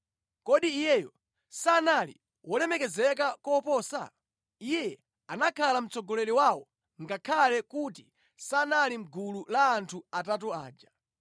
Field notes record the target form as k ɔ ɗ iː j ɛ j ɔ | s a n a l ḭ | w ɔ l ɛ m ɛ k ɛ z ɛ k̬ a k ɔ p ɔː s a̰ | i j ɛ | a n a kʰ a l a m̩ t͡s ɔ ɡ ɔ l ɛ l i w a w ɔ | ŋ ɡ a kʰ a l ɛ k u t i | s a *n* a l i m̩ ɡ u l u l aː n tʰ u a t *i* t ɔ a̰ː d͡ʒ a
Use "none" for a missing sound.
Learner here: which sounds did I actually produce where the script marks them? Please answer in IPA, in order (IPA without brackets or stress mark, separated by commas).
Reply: n, a